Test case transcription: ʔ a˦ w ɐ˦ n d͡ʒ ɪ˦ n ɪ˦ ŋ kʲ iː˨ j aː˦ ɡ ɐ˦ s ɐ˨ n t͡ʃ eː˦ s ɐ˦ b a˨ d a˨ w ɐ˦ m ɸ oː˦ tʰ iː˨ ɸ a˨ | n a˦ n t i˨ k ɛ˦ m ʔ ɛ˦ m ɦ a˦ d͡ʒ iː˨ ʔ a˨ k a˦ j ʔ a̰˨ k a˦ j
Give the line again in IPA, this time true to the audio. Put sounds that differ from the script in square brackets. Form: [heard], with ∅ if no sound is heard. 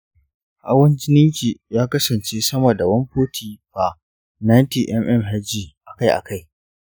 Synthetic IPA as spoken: ʔ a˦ w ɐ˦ n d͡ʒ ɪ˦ n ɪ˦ ŋ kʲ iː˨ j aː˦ [k] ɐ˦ s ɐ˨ n t͡ʃ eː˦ s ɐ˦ [m] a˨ d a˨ w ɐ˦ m ɸ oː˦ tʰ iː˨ ɸ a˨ | n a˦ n t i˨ [ʔ] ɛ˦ m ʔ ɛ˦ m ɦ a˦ d͡ʒ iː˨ ʔ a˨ k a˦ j ʔ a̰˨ k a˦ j

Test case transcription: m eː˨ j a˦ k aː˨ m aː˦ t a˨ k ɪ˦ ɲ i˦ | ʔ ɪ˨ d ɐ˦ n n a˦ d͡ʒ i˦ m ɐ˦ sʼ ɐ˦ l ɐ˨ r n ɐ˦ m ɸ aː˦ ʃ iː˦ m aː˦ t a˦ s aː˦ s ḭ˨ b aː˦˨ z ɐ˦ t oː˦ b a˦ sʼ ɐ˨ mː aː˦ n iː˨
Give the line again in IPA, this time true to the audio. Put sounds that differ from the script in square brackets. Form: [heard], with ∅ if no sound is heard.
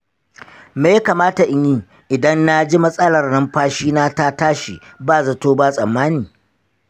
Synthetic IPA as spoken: m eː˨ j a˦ k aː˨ m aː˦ t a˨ [ʔ] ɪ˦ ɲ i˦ | ʔ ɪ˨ d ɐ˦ n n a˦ d͡ʒ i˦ m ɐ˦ sʼ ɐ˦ l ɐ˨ r n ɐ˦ m ɸ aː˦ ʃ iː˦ [n] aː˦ t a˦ [t] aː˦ [ʃ] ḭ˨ b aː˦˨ z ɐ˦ t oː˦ b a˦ sʼ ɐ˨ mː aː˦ n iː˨

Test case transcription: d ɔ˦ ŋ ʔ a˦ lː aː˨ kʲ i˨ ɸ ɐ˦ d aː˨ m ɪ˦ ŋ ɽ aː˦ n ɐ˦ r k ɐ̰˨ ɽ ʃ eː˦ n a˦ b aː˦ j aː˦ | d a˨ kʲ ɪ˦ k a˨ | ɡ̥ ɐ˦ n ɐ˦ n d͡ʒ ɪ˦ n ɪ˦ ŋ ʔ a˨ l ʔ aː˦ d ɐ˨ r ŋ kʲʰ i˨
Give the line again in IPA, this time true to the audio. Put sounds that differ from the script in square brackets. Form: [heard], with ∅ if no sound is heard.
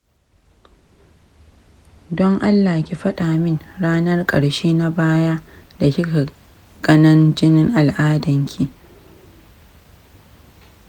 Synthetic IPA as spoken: d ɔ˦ ŋ ʔ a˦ lː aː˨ kʲ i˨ ɸ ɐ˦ [ɗ] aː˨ m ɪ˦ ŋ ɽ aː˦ n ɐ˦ r [kʼ] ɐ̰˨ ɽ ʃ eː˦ n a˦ b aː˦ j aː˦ | d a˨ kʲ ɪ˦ k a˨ | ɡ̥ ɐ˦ n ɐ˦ n d͡ʒ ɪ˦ n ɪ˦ ŋ ʔ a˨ l ʔ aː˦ d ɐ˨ [∅] ŋ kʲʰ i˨

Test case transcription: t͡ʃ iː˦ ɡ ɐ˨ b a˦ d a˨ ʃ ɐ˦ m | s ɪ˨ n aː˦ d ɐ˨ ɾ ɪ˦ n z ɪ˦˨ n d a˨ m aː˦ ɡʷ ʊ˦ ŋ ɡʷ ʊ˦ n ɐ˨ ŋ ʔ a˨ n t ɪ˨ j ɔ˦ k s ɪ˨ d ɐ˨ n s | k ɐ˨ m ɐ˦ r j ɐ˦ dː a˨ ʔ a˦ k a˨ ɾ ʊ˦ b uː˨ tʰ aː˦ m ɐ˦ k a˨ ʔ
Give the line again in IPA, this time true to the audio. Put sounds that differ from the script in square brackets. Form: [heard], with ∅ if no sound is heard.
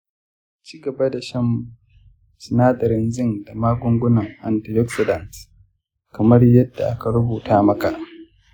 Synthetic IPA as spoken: t͡ʃ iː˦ ɡ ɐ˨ b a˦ d a˨ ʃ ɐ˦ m | s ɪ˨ n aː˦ d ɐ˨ ɾ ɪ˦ n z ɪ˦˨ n d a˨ m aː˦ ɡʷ ʊ˦ ŋ ɡʷ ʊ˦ n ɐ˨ ŋ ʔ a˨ n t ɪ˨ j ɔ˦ k s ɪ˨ d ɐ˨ n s | k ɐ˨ m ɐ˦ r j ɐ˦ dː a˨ ʔ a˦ k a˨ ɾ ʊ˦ b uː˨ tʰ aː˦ m ɐ˦ k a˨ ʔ

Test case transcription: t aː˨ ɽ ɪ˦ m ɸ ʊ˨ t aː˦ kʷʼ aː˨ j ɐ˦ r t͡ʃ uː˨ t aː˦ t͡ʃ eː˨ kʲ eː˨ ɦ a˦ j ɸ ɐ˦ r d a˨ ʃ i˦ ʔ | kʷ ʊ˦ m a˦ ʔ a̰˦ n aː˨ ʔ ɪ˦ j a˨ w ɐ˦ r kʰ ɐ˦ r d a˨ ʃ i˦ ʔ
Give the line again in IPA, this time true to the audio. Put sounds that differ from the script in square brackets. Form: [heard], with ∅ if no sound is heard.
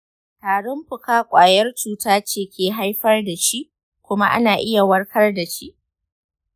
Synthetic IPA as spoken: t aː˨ ɽ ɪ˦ m ɸ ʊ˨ [k] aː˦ kʷʼ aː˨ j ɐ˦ r t͡ʃ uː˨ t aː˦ t͡ʃ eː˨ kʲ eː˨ ɦ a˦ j ɸ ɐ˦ r d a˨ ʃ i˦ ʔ | kʷ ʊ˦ m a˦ ʔ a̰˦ n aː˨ ʔ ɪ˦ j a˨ w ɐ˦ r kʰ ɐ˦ r d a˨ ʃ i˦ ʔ

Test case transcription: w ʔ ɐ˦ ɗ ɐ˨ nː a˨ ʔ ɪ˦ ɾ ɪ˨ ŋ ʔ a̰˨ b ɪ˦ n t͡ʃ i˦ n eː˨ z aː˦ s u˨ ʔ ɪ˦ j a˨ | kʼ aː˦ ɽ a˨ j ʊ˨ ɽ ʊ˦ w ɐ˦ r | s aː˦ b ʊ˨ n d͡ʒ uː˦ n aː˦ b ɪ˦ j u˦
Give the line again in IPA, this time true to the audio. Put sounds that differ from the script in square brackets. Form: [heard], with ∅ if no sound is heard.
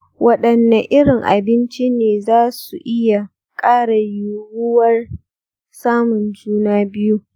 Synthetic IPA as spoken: w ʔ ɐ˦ ɗ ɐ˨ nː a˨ ʔ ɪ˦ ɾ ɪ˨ ŋ ʔ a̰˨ b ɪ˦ n t͡ʃ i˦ n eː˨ z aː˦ s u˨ ʔ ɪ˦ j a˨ | kʼ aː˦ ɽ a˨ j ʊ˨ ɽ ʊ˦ w ɐ˦ r | s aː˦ [m] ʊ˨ n d͡ʒ uː˦ n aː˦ b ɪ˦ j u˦

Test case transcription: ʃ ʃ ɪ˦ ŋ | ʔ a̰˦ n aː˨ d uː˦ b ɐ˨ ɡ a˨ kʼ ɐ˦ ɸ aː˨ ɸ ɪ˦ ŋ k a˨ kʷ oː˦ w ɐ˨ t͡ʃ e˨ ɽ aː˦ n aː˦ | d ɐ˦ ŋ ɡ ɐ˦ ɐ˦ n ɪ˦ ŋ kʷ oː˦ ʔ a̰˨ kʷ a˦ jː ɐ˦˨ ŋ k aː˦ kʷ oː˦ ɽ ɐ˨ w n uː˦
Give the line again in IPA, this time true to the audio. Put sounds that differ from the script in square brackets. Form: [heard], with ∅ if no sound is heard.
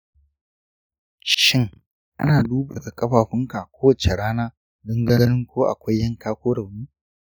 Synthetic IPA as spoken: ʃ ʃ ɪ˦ ŋ | ʔ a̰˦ n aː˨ d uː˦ b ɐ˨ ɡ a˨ kʼ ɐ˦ ɸ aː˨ ɸ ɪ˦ ŋ k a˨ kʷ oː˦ w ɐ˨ t͡ʃ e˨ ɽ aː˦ n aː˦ | d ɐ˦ ŋ ɡ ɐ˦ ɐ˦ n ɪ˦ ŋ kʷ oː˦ ʔ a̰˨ kʷ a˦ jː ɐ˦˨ ŋ k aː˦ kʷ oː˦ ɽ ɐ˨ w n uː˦

